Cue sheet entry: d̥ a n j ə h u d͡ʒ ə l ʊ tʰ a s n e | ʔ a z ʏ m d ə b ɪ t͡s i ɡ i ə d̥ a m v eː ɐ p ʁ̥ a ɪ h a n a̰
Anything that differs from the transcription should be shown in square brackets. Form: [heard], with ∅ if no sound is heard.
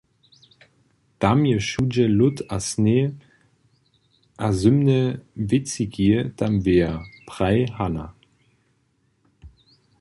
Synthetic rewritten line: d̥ a [m] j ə [ʃ] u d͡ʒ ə l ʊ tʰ a s n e | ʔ a z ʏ m [n] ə [v] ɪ t͡s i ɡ i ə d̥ a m v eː ɐ p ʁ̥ a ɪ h a n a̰